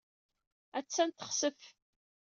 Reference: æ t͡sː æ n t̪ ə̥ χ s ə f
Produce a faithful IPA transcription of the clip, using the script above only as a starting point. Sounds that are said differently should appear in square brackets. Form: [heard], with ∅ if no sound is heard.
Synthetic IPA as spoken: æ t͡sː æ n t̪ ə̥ χ s ə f